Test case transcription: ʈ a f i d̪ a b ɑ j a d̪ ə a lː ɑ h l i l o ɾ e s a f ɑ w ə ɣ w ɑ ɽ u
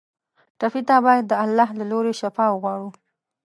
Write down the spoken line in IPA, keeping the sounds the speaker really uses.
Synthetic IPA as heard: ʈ a f i t̪ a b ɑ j a d̪ː ə a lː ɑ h l a l o ɾ e ʃ a f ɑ w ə ɣ w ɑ ɽ u